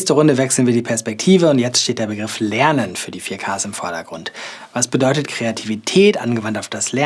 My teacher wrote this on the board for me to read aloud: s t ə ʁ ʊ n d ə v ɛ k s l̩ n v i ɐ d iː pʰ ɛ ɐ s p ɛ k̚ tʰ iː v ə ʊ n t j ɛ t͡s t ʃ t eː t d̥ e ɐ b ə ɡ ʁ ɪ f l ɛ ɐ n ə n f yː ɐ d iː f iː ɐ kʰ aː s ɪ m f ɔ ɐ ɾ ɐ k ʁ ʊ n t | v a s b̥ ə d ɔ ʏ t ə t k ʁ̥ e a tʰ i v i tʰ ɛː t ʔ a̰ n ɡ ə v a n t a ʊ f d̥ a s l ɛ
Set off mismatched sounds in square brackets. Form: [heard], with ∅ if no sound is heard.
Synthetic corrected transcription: s t ə ʁ ʊ n d ə v ɛ k s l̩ n v [iː] ɐ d iː pʰ ɛ ɐ s p ɛ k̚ tʰ iː v ə ʊ n t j ɛ t͡s t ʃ t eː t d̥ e ɐ b ə ɡ ʁ ɪ f l ɛ ɐ n ə n f yː ɐ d iː f iː ɐ kʰ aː s ɪ m f ɔ ɐ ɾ ɐ [ɡ] ʁ ʊ n t | v a s b̥ ə d ɔ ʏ t ə t k ʁ̥ e a tʰ i v i tʰ ɛː t ʔ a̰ n ɡ ə v a n t a ʊ f d̥ a s l ɛ

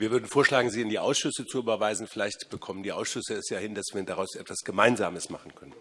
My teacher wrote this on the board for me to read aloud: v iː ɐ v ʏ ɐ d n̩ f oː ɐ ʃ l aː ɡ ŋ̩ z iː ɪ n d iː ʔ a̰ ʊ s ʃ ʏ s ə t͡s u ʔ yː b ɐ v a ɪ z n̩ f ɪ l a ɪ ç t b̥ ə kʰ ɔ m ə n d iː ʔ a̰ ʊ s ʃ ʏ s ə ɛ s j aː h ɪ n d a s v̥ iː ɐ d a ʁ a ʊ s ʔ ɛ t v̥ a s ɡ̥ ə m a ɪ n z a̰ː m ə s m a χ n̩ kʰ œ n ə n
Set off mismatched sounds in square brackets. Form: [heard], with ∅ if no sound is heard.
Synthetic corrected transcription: v iː ɐ v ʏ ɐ d n̩ f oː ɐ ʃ l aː ɡ ŋ̩ z iː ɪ n d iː ʔ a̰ ʊ s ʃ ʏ s ə t͡s u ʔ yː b ɐ v a ɪ z n̩ f ɪ l a ɪ ç t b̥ ə kʰ ɔ m ə n d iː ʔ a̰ ʊ s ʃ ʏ s ə ɛ s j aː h ɪ n d a s v̥ iː ɐ d a ʁ a ʊ s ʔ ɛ t v̥ a s ɡ̥ ə m a ɪ n z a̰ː m ə s m a χ n̩ kʰ œ n ə n

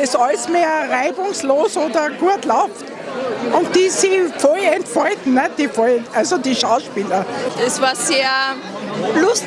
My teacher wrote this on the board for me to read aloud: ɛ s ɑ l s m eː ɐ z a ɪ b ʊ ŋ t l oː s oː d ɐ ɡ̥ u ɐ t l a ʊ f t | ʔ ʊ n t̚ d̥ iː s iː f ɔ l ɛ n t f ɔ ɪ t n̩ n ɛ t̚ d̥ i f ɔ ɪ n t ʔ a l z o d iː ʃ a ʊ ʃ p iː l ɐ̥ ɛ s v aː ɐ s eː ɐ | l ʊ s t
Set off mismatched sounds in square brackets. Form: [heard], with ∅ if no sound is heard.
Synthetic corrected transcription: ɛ s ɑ l s m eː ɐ [ʁ] a ɪ b ʊ ŋ [s] l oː s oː d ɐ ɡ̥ u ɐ t l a ʊ f t | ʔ ʊ n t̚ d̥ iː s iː f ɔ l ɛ n t f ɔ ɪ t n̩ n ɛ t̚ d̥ i f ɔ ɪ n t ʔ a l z o d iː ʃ a ʊ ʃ p iː l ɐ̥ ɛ s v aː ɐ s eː ɐ | l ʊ s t

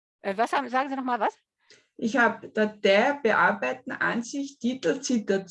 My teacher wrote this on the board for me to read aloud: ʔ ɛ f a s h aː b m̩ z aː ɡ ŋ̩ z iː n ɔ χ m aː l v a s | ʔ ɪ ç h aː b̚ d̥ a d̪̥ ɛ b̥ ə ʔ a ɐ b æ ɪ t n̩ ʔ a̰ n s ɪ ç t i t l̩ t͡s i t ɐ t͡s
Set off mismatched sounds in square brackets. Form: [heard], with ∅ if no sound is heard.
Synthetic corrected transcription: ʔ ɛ [v] a s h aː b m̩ z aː ɡ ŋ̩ z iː n ɔ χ m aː l v a s | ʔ ɪ ç h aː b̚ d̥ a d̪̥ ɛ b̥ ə ʔ a ɐ b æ ɪ t n̩ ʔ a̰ n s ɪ ç t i t l̩ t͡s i t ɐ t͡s

